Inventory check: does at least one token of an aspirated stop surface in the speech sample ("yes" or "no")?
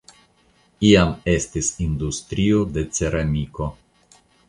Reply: no